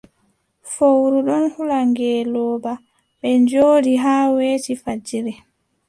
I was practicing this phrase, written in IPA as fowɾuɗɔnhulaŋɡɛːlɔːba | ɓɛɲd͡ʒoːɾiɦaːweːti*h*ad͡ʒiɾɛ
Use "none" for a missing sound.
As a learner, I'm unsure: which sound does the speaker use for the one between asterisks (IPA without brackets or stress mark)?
f